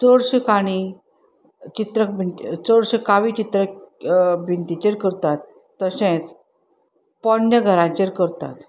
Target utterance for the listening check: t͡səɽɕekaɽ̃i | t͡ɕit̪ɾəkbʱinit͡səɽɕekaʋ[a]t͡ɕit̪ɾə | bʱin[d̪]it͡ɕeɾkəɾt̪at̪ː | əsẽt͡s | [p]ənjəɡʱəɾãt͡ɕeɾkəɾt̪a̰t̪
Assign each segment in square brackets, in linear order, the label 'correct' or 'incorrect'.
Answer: incorrect: i, incorrect: t̪, correct

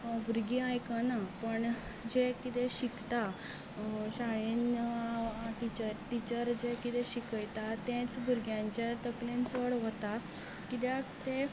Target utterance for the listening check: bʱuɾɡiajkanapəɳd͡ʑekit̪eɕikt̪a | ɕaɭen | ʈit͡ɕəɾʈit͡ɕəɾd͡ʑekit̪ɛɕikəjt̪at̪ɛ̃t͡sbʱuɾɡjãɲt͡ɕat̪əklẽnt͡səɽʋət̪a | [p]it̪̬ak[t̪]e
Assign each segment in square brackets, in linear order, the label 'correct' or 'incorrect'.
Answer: incorrect: k, correct

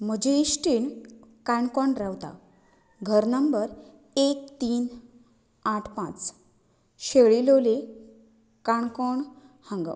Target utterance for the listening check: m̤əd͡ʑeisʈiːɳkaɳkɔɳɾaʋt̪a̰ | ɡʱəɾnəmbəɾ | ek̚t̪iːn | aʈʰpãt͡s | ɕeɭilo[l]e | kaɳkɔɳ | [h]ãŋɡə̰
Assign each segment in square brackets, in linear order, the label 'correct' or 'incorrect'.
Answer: correct, correct

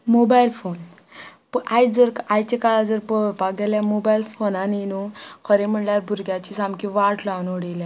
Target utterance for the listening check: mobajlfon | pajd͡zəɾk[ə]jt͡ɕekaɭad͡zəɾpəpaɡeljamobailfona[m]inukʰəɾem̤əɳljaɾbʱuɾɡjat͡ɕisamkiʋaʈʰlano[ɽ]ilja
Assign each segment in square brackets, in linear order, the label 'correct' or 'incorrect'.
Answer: incorrect: a, incorrect: n, correct

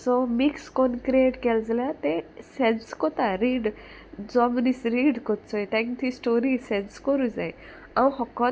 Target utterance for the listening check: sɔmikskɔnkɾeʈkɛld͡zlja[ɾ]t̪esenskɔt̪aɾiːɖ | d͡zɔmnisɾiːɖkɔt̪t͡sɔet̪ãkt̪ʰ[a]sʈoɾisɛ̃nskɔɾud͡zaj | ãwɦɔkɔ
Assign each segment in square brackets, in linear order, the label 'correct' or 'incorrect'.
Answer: incorrect: none, incorrect: i

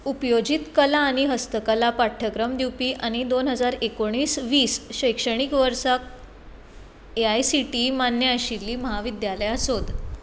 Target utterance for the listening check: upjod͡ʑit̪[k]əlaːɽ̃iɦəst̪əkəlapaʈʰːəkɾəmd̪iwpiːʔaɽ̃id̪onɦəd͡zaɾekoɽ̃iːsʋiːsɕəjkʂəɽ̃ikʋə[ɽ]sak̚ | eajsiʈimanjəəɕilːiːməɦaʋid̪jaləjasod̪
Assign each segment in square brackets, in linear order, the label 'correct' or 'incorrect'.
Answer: correct, incorrect: ɾ

